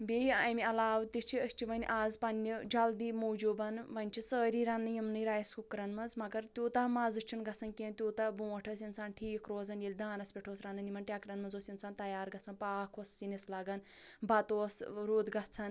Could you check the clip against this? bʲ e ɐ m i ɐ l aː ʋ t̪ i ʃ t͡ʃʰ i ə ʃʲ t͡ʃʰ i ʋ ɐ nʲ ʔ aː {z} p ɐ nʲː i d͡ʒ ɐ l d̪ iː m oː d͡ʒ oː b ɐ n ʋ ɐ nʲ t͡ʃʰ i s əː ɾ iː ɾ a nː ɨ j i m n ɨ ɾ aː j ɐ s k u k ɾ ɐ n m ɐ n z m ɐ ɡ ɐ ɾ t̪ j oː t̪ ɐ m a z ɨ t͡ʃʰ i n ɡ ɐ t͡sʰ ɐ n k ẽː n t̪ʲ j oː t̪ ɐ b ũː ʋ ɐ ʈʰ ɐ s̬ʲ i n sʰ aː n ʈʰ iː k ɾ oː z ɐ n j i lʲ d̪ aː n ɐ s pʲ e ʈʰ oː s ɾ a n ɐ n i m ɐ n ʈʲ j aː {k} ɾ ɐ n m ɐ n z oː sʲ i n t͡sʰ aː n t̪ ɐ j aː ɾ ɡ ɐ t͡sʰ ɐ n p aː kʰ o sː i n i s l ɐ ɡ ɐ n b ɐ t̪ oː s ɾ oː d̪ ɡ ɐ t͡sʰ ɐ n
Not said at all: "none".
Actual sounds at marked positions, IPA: z, k

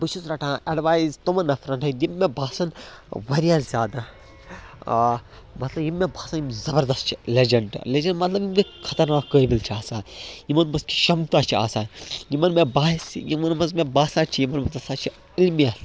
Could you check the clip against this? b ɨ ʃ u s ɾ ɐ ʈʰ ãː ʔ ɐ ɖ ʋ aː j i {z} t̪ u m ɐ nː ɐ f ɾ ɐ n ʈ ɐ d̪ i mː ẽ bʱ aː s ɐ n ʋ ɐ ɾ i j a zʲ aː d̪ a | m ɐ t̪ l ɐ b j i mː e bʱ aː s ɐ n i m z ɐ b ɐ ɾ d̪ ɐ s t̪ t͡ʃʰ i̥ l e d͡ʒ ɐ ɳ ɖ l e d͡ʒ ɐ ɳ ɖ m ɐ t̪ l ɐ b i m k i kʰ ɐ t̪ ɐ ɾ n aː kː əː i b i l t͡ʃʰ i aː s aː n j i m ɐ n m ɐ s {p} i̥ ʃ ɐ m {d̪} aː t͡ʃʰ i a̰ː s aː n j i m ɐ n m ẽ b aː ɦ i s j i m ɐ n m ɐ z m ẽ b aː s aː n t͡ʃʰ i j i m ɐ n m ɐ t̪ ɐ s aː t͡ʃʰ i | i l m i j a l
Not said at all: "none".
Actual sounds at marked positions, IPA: z, k, t̪

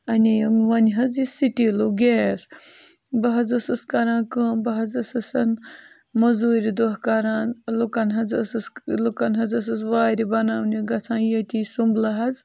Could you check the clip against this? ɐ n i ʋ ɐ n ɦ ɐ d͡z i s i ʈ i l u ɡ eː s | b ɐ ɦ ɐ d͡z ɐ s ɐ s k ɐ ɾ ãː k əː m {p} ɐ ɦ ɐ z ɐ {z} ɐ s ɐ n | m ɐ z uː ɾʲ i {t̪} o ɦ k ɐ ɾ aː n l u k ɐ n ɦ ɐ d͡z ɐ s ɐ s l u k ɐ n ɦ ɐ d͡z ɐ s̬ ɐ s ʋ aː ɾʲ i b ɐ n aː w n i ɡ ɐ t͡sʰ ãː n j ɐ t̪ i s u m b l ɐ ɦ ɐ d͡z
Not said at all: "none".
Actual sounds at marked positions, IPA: b, s, d̪

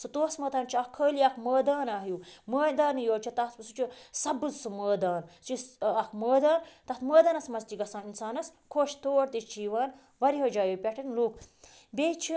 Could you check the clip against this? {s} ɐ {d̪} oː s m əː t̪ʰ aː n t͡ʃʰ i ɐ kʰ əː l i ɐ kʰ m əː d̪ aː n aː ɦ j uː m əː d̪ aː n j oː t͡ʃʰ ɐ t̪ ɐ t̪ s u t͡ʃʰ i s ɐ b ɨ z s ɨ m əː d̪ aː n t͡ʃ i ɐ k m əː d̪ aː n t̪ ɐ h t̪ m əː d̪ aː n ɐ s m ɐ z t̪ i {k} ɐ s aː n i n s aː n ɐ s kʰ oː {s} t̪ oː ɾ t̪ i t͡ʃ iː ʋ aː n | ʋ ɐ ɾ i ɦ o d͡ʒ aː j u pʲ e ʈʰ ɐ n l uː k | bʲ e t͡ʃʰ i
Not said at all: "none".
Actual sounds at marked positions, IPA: s, t̪, ɡ, ʃ

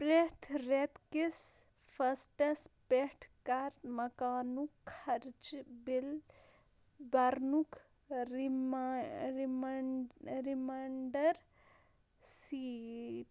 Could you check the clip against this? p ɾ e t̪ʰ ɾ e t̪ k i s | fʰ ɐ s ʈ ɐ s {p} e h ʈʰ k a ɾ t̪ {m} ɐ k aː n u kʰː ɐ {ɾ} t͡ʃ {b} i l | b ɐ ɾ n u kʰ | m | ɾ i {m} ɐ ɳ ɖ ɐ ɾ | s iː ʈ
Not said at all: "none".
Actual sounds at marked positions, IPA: p, m, ɾ, b, m

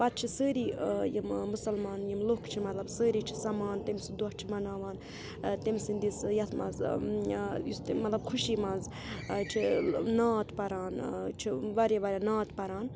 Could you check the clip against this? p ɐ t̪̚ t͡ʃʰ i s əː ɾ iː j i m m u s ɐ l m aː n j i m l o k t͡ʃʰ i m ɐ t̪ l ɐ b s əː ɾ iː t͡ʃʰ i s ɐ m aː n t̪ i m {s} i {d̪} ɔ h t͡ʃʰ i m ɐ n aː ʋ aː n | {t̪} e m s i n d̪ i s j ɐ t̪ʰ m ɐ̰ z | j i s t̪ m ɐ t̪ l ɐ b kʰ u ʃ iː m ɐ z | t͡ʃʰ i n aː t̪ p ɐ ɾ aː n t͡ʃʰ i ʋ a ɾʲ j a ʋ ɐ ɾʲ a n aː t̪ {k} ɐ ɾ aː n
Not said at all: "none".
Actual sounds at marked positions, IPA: s, d̪, t̪, p

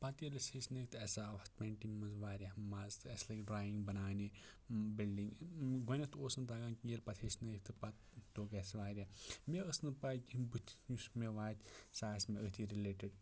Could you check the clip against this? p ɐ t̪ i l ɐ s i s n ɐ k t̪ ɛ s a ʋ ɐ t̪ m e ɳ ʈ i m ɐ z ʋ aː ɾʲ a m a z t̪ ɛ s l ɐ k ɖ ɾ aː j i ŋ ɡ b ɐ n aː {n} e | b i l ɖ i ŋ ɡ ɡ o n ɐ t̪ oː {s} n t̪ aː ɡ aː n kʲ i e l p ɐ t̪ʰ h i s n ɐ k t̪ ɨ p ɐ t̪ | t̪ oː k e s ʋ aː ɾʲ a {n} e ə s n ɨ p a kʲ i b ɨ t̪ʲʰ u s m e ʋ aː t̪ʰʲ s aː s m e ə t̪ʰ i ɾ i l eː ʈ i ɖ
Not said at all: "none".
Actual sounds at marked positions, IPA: n, s, m

